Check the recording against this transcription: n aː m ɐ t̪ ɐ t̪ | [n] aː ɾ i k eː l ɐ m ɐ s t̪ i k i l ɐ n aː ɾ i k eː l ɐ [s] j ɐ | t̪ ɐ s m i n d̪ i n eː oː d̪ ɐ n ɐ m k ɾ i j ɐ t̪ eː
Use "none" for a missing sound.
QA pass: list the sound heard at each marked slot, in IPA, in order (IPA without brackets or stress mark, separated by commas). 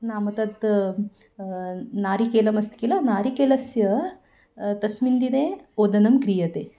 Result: n, s